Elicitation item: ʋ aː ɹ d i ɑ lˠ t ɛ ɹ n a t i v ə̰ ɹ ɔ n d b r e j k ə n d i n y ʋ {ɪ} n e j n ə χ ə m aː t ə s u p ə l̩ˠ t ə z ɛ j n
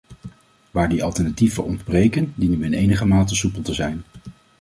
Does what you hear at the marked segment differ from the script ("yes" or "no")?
no